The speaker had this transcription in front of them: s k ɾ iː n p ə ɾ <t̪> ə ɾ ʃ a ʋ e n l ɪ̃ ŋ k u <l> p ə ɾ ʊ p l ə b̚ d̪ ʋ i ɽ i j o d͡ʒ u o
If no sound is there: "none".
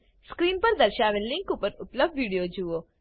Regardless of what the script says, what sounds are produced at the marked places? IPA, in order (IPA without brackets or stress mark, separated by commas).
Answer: d̪, none